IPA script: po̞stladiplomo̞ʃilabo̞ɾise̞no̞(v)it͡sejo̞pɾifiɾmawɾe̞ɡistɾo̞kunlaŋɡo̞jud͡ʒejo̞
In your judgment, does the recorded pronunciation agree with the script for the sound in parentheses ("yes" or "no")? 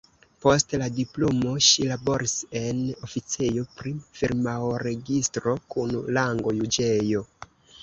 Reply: no